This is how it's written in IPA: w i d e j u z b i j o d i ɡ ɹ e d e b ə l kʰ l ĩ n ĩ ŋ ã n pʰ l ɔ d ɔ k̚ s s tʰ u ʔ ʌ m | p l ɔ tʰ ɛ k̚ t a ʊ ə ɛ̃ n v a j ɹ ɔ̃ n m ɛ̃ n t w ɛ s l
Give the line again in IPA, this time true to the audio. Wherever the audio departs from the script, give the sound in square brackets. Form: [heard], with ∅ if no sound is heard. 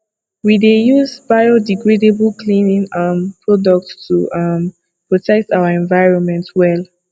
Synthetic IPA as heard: w i d e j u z b [a] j o d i ɡ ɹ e d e b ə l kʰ l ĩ n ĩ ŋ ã n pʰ [ɹ] ɔ d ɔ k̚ [t] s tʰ u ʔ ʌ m | p [ɹ] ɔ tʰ ɛ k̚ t a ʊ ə ɛ̃ n v a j ɹ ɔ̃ n m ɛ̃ n t w ɛ [∅] l